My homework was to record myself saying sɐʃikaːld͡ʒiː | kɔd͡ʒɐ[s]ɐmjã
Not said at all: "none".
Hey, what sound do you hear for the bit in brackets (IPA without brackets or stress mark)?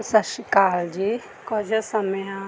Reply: s